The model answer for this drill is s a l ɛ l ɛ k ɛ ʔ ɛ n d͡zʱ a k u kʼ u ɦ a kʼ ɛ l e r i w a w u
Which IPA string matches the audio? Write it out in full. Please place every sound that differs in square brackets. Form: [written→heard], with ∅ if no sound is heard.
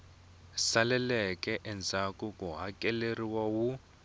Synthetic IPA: s a l ɛ l ɛ k ɛ ʔ ɛ n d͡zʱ a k u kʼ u ɦ a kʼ ɛ l e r i w a w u